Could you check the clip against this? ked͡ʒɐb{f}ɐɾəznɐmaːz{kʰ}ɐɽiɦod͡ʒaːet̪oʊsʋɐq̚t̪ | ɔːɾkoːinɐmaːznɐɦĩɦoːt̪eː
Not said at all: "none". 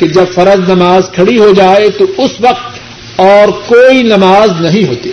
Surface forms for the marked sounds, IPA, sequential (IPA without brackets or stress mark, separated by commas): f, kʰ